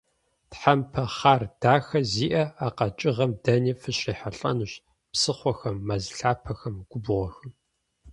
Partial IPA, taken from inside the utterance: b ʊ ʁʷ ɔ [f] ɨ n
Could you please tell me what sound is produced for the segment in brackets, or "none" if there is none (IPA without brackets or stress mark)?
x